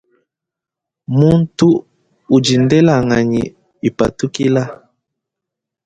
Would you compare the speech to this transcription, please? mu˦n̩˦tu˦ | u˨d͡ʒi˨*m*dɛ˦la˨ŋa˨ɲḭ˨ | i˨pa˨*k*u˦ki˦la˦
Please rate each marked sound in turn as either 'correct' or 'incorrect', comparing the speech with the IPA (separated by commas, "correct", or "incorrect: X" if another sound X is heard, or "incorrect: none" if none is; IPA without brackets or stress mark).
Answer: incorrect: n, incorrect: t